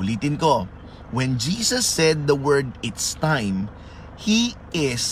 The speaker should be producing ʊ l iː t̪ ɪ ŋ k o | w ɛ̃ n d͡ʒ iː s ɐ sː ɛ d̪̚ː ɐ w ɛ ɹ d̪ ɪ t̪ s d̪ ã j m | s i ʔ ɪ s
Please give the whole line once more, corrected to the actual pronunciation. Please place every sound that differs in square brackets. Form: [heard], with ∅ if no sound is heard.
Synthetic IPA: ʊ l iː t̪ ɪ [n] k o | w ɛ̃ n d͡ʒ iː s ɐ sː ɛ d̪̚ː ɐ w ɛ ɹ d̪ ɪ t̪ s [t̪] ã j m | [h] i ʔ ɪ s